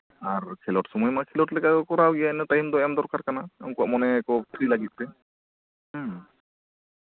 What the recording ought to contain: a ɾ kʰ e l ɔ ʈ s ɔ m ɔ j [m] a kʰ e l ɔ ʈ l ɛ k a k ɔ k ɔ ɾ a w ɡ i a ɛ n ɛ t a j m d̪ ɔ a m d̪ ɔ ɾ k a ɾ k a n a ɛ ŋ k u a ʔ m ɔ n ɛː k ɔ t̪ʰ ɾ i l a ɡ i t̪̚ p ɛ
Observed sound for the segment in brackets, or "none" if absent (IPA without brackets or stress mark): m